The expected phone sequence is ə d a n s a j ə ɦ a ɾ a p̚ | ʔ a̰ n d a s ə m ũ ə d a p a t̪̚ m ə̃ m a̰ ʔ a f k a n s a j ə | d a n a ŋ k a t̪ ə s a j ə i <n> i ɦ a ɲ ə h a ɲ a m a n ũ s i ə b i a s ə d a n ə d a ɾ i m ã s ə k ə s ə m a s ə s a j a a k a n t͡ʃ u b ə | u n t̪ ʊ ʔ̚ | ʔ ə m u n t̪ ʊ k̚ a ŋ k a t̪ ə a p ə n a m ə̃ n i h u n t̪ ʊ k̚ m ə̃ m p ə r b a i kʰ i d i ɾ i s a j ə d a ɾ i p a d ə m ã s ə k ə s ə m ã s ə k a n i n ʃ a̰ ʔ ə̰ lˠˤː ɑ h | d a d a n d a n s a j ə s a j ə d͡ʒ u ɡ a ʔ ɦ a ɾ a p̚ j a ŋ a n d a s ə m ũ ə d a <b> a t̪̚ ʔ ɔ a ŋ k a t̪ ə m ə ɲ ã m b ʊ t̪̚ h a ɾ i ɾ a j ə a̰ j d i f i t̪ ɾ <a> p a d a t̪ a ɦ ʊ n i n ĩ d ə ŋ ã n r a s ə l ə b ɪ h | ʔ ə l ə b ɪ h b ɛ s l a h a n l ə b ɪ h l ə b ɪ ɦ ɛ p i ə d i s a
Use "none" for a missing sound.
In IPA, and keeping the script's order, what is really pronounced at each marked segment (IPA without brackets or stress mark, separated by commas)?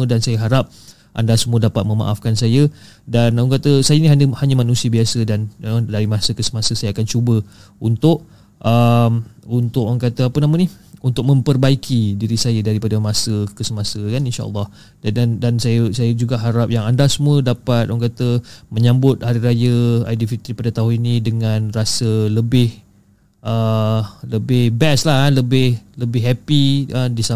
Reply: n, p, i